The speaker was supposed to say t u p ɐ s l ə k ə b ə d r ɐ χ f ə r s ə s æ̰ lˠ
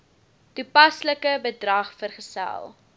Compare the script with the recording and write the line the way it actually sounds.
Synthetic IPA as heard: t u p ɐ s l ə k ə b ə d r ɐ χ f ə r χ ə s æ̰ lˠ